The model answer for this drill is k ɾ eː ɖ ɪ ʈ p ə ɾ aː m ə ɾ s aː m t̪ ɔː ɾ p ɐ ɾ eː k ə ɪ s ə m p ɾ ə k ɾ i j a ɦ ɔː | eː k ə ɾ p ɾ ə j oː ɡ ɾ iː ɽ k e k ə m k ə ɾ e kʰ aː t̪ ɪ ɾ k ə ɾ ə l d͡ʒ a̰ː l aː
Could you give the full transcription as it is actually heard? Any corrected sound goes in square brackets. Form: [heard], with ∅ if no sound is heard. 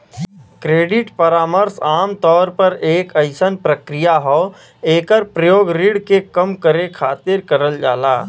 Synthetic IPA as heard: k ɾ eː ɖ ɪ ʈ p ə ɾ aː m ə ɾ s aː m t̪ ɔː ɾ p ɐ ɾ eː k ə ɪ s ə [n] p ɾ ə k ɾ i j a ɦ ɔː | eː k ə ɾ p ɾ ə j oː ɡ ɾ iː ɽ k e k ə m k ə ɾ e kʰ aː t̪ ɪ ɾ k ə ɾ ə l d͡ʒ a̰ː l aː